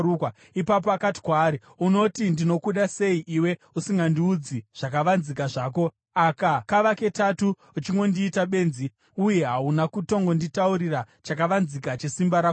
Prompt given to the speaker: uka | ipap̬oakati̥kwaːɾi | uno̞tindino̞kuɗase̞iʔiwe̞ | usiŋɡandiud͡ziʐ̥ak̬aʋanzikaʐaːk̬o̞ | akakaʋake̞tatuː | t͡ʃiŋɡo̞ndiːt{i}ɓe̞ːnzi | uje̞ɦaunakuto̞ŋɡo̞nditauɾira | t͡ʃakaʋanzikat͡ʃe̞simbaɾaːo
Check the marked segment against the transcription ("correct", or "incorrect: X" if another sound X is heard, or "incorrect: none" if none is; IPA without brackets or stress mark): incorrect: a